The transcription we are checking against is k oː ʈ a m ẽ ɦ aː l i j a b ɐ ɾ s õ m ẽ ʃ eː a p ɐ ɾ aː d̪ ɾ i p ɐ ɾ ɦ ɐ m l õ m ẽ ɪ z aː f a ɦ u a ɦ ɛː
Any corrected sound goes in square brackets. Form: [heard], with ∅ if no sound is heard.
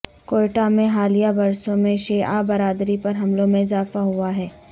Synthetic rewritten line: k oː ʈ a m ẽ ɦ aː l i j a b ɐ ɾ s õ m ẽ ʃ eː a [b] ɐ ɾ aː d̪ ɾ i p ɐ ɾ ɦ ɐ m l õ m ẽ ɪ z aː f a ɦ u a ɦ ɛː